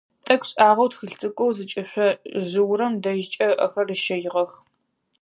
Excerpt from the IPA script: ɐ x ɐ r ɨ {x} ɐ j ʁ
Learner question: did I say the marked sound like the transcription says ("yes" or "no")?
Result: no